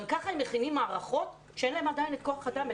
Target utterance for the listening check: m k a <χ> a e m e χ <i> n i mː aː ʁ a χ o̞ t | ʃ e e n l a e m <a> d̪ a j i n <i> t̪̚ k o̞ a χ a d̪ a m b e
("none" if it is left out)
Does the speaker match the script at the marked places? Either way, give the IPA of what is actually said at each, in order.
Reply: χ, i, a, e

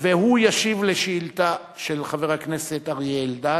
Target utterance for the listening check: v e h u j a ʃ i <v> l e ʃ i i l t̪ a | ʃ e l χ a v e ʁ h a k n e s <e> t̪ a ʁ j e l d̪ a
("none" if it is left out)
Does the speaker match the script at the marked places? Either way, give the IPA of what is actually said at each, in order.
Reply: v, e

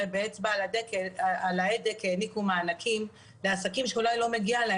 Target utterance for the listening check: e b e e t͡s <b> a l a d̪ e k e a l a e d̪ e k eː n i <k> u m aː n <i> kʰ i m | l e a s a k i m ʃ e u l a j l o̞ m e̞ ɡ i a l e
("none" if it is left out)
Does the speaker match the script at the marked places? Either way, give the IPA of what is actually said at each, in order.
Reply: b, k, a

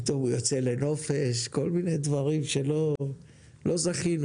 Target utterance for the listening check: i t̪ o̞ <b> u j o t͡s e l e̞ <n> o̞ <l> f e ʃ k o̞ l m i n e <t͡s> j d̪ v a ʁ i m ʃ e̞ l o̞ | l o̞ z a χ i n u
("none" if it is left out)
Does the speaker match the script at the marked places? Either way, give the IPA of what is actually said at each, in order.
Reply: m, n, none, none

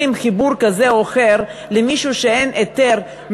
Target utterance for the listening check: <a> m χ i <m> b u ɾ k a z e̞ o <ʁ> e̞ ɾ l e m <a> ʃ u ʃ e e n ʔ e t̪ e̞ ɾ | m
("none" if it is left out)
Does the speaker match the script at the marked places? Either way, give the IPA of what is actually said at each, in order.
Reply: i, none, χ, i

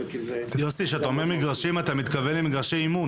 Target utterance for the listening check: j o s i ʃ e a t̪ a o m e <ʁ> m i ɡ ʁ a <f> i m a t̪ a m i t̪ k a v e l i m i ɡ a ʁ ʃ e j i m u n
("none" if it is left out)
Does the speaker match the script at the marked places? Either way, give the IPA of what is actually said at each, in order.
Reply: ʁ, ʃ

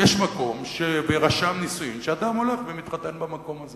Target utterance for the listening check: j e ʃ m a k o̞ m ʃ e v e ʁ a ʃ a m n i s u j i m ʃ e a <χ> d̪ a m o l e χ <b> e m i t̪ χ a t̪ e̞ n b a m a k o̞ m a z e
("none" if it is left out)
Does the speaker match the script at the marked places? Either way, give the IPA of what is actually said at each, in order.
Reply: none, v

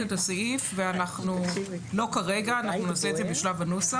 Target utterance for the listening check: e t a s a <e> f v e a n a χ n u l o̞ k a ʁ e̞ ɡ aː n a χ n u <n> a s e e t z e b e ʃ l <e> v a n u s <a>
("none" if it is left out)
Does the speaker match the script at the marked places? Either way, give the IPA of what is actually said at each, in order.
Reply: i, n, a, a

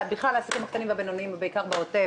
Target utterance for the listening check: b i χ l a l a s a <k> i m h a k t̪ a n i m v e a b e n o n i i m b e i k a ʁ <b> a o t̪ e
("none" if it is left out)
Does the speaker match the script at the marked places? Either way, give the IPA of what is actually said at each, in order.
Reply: k, b

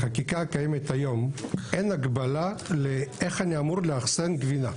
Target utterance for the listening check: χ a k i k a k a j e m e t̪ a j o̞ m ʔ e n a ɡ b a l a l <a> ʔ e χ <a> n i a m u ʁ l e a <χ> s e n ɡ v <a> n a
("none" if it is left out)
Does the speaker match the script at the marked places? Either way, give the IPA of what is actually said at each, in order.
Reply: e, a, χ, i

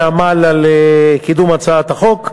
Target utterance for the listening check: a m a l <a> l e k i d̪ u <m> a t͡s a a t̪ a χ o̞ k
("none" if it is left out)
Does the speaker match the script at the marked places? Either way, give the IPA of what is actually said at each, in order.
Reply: a, m

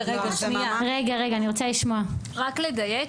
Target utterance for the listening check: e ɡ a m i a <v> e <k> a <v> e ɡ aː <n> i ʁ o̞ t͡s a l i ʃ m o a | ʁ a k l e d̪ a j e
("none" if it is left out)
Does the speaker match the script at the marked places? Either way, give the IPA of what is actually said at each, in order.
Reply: ʁ, ɡ, ʁ, n

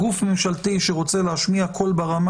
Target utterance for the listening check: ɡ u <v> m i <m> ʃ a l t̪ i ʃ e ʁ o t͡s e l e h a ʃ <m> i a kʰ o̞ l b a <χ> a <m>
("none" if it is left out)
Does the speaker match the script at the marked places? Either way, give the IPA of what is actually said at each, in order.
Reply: f, m, m, ʁ, m

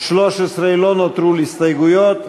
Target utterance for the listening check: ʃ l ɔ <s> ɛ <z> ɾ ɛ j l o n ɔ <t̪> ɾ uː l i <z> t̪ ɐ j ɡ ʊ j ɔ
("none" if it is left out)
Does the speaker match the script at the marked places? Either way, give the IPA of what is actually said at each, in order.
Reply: ʃ, s, t̪, s

